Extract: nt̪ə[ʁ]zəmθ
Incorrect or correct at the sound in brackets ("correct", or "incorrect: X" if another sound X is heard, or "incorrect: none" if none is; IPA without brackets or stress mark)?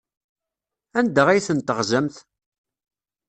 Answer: correct